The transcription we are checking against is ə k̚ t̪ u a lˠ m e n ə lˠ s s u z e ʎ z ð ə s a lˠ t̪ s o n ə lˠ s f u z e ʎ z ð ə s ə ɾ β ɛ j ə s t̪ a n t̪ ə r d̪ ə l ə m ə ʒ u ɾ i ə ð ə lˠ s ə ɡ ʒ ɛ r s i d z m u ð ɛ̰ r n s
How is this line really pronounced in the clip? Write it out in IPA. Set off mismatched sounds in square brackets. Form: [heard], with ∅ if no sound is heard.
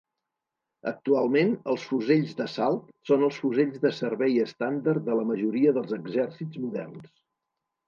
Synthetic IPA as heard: ə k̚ t̪ u a lˠ m e n ə lˠ s [f] u z e ʎ z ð ə s a lˠ t̪ s o n ə lˠ s f u z e ʎ z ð ə s ə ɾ β ɛ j ə s t̪ a n [d̪] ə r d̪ ə l ə m ə ʒ u ɾ i ə ð ə lˠ [z] ə ɡ [z] ɛ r s i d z m u ð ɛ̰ r n s